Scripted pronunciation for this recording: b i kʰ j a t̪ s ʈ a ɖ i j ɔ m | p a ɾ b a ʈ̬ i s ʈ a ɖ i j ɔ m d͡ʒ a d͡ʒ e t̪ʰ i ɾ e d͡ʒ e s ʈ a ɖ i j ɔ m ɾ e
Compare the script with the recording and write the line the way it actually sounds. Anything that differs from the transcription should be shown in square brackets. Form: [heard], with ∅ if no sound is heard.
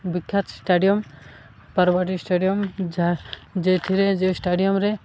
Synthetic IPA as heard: b i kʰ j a t̪ s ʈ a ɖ i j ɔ m | p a ɾ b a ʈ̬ i s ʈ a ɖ i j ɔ m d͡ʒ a d͡ʒ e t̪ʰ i ɾ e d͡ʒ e s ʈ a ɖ i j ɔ m ɾ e

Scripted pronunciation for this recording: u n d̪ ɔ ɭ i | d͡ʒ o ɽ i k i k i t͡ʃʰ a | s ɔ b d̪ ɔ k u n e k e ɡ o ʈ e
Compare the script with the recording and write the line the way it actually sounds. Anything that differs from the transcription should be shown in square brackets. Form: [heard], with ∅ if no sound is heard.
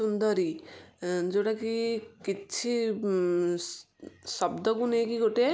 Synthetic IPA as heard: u n d̪ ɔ [ɾ] i | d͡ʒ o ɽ [a] k i k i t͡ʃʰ [i] | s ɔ b d̪ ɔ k u n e k [i] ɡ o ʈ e

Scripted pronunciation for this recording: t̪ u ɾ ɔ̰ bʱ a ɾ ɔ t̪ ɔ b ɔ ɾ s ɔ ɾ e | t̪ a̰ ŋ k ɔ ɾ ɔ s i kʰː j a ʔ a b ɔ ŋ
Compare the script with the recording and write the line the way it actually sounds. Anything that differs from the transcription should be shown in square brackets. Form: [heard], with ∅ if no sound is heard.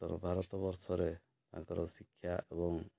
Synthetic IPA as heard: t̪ [ɔ] ɾ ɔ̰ bʱ a ɾ ɔ t̪ ɔ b ɔ ɾ s ɔ ɾ e | t̪ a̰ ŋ k ɔ ɾ ɔ s i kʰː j a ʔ [e] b ɔ ŋ

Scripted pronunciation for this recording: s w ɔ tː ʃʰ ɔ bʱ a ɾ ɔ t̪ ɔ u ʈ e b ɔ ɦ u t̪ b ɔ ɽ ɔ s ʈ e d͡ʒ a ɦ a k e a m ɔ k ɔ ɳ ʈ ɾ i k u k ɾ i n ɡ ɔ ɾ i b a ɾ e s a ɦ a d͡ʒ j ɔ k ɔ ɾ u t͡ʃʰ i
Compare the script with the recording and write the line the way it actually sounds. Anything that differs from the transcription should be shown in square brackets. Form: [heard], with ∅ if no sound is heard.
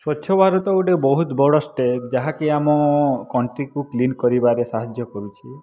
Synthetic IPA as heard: s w ɔ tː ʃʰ ɔ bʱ a ɾ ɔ t̪ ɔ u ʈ e b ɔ ɦ u t̪ b ɔ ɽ ɔ s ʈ e d͡ʒ a ɦ a k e a m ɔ k ɔ ɳ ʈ ɾ i k u k [l] i n [k] ɔ ɾ i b a ɾ e s a ɦ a d͡ʒ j ɔ k ɔ ɾ u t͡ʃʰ i

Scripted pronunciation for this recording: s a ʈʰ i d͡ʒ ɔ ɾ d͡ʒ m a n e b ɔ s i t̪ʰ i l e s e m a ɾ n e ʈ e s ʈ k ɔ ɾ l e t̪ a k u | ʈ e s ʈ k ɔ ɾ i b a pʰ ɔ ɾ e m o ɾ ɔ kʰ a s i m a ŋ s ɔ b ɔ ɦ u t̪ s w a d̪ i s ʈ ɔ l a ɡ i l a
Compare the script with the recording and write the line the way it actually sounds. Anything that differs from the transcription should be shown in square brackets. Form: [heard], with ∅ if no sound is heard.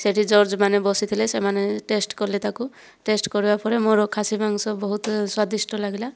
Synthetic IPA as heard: s [e] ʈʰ i d͡ʒ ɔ ɾ d͡ʒ m a n e b ɔ s i t̪ʰ i l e s e m a [∅] n e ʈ e s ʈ k ɔ ɾ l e t̪ a k u | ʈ e s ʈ k ɔ ɾ i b a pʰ ɔ ɾ e m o ɾ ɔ kʰ a s i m a ŋ s ɔ b ɔ ɦ u t̪ s w a d̪ i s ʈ ɔ l a ɡ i l a

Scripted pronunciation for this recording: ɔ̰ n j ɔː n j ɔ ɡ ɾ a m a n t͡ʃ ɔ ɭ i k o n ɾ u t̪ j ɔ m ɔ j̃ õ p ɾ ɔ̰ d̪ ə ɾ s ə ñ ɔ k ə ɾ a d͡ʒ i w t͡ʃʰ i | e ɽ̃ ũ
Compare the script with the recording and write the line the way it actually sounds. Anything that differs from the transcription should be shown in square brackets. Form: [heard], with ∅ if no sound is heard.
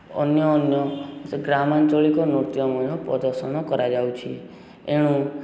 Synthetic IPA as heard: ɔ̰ n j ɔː n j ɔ ɡ ɾ a m a n t͡ʃ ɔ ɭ i k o n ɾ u t̪ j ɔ m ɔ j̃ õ p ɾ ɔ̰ d̪ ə ɾ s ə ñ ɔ k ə ɾ a d͡ʒ [a] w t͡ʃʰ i | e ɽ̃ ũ

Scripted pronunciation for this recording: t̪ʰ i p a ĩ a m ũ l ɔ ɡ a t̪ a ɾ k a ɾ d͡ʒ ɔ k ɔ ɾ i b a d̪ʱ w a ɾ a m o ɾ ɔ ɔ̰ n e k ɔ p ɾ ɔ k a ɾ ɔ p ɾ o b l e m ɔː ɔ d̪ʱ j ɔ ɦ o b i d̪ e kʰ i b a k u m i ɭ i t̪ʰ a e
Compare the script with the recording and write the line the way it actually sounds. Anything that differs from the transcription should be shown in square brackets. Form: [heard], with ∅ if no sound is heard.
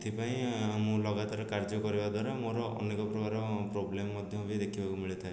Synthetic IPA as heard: t̪ʰ i p a ĩ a m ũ l ɔ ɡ a t̪ a ɾ k a ɾ d͡ʒ ɔ k ɔ ɾ i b a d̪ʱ w a ɾ a m o ɾ ɔ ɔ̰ n e k ɔ p ɾ ɔ k a ɾ ɔ p ɾ o b l e m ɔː ɔ d̪ʱ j ɔ ɦ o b i d̪ e kʰ i b a k u m i ɭ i t̪ʰ a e

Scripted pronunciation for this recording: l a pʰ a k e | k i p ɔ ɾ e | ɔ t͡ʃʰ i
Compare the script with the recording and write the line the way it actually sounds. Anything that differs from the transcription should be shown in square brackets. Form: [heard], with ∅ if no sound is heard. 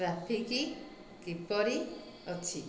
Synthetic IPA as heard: [ɾ] a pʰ [i] k [i] | k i p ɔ ɾ [i] | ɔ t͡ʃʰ i

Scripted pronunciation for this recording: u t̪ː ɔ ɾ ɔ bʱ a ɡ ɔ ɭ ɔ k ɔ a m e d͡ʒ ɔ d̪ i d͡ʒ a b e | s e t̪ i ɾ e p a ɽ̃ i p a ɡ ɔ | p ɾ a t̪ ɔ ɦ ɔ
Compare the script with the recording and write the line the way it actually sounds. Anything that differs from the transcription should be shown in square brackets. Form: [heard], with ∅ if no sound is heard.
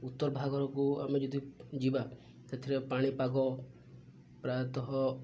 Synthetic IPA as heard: u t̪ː ɔ ɾ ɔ bʱ a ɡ ɔ [ɾ] ɔ k [u] a m e d͡ʒ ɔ d̪ i d͡ʒ [i] b [a] | s e [t̪ʰ] i ɾ e p a ɽ̃ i p a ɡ ɔ | p ɾ a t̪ ɔ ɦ ɔ

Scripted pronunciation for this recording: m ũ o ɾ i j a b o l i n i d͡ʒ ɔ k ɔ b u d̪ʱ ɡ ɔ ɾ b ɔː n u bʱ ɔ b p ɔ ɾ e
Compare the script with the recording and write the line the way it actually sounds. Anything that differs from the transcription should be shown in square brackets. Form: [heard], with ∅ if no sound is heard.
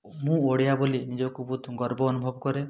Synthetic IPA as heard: m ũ o [ɽ] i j a b o l i n i d͡ʒ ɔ k [u] b u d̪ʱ ɡ ɔ ɾ b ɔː n u bʱ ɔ b [k] ɔ ɾ e

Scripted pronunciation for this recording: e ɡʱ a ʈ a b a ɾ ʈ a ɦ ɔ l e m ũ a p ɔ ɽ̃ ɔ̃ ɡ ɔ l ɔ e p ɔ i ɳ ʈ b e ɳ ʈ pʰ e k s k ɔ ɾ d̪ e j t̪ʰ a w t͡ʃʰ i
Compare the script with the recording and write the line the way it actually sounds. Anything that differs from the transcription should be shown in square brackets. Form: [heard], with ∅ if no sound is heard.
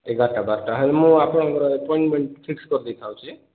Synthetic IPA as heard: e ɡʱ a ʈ a b a ɾ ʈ a ɦ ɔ l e m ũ a p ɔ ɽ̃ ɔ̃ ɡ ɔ [ɾ] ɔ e p ɔ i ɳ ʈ [m] e ɳ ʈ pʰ [i] k s k ɔ ɾ d̪ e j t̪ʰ a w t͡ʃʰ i

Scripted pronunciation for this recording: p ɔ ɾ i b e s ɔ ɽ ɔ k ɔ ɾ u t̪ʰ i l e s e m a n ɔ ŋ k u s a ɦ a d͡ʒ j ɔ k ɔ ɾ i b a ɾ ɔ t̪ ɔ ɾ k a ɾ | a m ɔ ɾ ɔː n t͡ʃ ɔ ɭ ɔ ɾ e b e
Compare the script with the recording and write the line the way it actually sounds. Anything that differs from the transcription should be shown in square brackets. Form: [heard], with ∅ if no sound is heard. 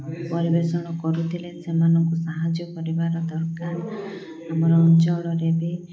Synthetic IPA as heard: p ɔ ɾ i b e s ɔ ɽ ɔ k ɔ ɾ u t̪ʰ i l e s e m a n ɔ ŋ k u s a ɦ a d͡ʒ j ɔ k ɔ ɾ i b a ɾ ɔ [d̪] ɔ ɾ k a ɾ | a m ɔ ɾ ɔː n t͡ʃ ɔ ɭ ɔ ɾ e b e

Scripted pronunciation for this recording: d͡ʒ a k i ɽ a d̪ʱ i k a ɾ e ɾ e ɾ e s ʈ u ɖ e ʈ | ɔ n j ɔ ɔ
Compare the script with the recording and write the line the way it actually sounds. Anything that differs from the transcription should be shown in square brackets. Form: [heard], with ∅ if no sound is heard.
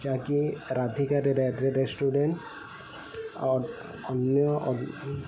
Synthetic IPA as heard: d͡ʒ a k i [ɾ] a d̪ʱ i k a ɾ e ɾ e ɾ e s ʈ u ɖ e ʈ | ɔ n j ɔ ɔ

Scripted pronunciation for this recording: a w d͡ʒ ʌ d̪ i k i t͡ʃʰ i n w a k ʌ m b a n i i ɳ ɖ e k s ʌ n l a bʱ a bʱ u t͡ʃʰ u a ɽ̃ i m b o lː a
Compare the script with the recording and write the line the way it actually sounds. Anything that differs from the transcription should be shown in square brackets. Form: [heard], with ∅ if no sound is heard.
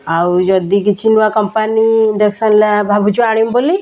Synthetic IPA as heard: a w d͡ʒ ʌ d̪ i k i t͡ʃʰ i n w a k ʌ m [p] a n i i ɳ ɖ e k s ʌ n l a bʱ a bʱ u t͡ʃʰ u a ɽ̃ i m b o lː [i]

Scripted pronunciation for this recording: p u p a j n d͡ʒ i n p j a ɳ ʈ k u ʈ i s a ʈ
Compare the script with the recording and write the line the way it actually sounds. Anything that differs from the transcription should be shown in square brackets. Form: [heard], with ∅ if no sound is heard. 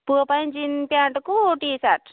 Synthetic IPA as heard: p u p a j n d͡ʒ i n p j a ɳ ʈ k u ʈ i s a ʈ

